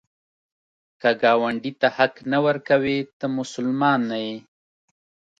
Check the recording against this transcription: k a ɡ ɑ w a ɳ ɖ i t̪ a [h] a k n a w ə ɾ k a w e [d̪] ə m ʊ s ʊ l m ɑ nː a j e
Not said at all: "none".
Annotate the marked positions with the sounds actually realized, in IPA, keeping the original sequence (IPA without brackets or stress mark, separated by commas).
h, t̪